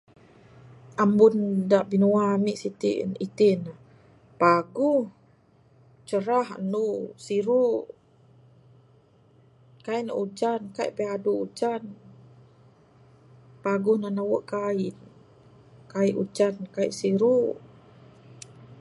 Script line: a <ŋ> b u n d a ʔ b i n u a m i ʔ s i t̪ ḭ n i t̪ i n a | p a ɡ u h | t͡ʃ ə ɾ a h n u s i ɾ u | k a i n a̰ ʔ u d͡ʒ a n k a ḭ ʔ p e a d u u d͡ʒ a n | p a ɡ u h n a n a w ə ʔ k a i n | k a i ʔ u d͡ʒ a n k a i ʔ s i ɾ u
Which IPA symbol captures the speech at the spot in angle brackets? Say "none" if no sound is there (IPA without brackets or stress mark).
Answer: m